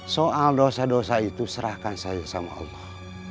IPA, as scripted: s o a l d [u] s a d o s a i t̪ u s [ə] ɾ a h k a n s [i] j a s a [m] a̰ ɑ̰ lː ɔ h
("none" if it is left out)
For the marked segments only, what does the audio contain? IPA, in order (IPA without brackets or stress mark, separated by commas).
o, ə, a, m